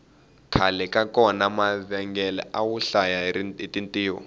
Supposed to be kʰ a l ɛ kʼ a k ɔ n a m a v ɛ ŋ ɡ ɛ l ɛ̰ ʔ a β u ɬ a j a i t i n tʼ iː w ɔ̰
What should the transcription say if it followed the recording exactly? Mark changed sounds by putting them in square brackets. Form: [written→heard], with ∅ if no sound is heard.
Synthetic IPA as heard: kʰ a l ɛ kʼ a k ɔ n a m a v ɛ ŋ ɡ ɛ l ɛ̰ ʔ a [β→w] u ɬ a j a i t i n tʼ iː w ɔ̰